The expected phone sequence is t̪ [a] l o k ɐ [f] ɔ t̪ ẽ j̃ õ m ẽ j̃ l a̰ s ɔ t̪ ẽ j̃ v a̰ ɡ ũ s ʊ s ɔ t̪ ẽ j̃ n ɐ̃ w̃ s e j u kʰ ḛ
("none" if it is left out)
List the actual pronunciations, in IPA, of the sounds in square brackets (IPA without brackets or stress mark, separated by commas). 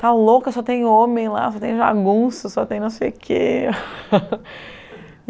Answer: a, s